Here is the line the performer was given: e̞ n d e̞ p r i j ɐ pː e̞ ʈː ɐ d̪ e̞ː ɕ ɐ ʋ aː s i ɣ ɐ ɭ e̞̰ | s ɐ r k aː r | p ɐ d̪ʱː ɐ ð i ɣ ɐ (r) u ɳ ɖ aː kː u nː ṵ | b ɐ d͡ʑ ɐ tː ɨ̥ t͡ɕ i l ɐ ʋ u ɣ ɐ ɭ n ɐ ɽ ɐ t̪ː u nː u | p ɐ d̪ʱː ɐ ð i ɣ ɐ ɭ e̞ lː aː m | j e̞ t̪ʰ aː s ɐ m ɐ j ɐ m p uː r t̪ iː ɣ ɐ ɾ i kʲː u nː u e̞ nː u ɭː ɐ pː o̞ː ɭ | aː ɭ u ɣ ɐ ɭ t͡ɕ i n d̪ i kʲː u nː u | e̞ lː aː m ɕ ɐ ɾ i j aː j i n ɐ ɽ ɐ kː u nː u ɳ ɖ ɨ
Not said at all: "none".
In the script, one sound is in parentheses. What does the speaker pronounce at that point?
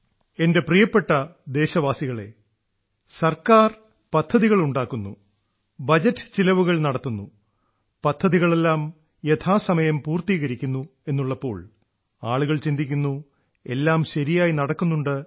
ɭ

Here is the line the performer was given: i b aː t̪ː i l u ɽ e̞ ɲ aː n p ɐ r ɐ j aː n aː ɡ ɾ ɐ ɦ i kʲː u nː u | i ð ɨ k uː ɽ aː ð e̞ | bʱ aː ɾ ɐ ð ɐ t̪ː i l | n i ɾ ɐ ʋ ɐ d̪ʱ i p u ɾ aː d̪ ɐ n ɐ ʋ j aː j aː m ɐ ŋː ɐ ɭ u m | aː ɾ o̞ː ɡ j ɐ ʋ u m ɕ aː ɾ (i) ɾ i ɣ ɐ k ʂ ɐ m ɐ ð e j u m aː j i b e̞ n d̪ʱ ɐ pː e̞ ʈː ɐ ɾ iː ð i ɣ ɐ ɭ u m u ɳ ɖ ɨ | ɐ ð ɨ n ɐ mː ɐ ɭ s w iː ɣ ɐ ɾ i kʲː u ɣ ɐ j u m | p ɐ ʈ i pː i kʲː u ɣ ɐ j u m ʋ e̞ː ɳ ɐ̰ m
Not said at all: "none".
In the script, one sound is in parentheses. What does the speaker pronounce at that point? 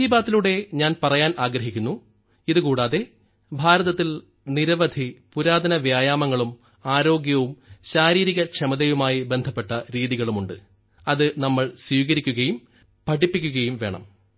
iː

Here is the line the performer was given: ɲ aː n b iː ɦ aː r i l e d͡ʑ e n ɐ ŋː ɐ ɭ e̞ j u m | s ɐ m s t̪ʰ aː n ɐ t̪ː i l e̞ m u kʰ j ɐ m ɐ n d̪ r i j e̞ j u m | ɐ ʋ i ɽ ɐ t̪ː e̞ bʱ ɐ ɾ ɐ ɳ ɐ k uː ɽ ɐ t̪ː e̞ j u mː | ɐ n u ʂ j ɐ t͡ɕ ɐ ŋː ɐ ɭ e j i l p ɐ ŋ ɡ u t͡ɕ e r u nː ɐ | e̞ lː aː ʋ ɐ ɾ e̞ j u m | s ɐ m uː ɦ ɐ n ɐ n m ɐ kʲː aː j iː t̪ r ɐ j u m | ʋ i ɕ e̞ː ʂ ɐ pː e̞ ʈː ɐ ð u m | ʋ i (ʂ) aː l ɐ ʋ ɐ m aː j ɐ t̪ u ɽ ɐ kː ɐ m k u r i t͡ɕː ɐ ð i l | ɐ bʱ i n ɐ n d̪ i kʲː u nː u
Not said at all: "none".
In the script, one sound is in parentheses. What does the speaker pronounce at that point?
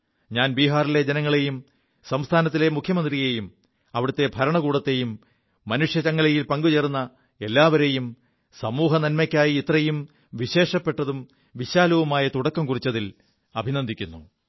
ɕ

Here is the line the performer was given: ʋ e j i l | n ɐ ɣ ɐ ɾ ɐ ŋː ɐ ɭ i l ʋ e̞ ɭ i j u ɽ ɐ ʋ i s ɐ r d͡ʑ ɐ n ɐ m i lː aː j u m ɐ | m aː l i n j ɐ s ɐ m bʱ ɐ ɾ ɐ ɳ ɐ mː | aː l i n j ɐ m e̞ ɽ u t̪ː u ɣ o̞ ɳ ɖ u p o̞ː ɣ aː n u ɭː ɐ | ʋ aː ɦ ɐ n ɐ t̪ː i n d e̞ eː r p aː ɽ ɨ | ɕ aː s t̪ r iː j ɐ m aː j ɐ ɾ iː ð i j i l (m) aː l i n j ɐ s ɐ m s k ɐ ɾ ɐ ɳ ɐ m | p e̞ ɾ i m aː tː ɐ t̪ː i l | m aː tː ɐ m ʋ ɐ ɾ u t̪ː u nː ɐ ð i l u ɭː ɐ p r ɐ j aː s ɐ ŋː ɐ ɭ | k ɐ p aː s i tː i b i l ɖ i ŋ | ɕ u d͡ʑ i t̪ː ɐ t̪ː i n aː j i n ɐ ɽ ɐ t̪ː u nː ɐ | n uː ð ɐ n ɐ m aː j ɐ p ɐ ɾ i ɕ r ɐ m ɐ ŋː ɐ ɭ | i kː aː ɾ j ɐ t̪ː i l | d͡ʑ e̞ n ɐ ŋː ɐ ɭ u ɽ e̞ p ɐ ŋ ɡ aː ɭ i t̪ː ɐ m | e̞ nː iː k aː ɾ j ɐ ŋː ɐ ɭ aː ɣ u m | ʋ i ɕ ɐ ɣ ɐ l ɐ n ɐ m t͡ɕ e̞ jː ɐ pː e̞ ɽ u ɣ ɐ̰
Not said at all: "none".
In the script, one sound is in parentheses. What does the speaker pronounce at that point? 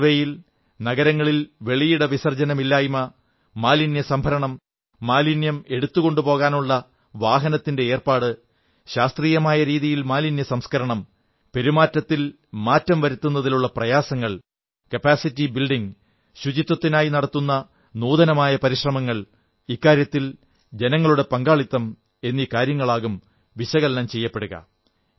m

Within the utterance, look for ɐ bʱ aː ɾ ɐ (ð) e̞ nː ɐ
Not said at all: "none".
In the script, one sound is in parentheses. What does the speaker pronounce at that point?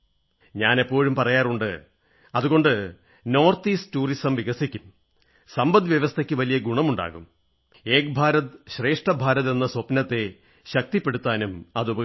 ð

